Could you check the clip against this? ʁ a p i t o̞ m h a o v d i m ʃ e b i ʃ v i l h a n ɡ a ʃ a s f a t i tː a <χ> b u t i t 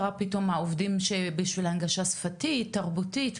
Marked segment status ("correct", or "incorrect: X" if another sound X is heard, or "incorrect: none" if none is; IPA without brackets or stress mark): incorrect: ʁ